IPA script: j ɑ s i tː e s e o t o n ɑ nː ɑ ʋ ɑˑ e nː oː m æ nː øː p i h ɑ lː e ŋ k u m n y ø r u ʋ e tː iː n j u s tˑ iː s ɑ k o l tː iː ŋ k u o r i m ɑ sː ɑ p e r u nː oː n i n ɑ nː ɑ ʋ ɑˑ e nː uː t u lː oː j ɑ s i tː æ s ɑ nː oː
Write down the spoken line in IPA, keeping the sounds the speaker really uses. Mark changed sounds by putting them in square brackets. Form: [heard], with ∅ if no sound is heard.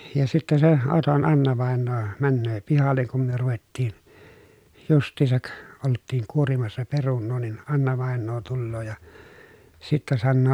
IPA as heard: j ɑ s i tː e s e o t o n ɑ nː ɑ ʋ ɑˑ e nː oː m æ nː øː p i h ɑ lː e ŋ k u m [m] y ø r u ʋ e tː iː n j u s tˑ iː s ɑ k o l tː iː ŋ k u o r i m ɑ sː ɑ p e r u nː oː n i n ɑ nː ɑ ʋ ɑˑ e nː [oː] t u lː oː j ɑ s i tː æ s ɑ nː oː